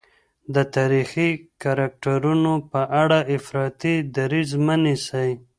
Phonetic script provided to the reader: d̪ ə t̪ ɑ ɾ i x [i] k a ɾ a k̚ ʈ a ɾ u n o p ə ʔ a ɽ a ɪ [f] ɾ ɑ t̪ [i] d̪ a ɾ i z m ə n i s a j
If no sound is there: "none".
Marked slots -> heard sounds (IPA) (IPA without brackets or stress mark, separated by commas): i, f, i